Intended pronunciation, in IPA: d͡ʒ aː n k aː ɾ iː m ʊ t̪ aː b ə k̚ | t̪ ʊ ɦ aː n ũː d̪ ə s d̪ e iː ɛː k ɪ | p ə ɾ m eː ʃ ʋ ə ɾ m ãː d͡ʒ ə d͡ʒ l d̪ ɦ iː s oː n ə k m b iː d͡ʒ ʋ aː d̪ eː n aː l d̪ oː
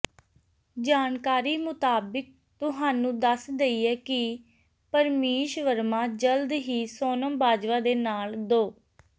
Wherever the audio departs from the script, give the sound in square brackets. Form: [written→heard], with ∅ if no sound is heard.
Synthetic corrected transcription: d͡ʒ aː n k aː ɾ iː m ʊ t̪ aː b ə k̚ | t̪ ʊ ɦ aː n ũː d̪ ə s d̪ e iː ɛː k ɪ | p ə ɾ m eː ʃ ʋ ə ɾ m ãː d͡ʒ ə [d͡ʒ→∅] l d̪ ɦ iː s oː n ə [k→∅] m b [iː→aː] d͡ʒ ʋ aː d̪ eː n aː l d̪ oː